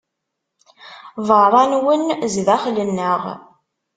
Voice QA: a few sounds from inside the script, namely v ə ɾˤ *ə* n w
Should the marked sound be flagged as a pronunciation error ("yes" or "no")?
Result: yes